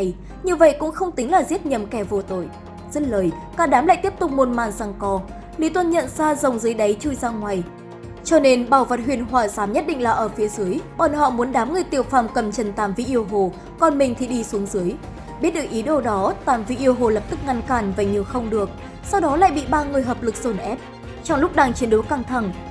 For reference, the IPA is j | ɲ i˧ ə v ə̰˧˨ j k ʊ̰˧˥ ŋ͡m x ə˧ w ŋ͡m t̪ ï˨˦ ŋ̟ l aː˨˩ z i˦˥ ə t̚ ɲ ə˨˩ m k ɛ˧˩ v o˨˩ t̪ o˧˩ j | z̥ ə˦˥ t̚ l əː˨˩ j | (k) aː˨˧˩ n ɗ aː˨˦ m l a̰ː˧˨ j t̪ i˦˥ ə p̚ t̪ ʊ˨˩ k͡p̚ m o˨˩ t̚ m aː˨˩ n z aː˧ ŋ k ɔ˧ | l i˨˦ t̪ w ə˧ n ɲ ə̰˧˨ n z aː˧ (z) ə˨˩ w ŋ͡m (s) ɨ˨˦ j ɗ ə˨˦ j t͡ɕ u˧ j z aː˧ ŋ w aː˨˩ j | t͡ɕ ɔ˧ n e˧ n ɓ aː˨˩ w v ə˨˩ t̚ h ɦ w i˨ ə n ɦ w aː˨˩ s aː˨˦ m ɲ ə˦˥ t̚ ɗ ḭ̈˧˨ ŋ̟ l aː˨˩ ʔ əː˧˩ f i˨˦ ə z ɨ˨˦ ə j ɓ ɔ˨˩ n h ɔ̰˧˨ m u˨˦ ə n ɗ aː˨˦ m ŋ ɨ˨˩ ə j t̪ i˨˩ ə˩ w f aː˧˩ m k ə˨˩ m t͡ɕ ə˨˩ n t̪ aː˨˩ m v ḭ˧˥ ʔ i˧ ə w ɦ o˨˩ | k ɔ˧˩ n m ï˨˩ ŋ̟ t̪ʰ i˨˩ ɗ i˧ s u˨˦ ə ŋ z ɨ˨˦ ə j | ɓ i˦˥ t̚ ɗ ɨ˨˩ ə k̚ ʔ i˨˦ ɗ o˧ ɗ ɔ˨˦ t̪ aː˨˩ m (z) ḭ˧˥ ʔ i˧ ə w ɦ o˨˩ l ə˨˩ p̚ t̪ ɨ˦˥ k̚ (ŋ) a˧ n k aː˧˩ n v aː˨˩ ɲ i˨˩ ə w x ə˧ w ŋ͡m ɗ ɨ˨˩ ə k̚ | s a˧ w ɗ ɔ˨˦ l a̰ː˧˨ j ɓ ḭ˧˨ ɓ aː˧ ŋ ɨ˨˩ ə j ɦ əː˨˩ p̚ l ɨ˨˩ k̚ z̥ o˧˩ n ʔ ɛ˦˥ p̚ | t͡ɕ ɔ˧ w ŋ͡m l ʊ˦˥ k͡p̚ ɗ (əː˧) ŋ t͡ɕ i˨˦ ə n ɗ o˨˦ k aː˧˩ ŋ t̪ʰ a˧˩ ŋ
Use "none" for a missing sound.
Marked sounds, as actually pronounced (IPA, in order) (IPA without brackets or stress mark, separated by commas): k, z, z, v, ŋ, aː˧